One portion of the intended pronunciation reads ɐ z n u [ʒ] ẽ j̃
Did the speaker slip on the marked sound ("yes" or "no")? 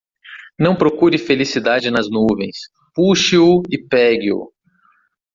yes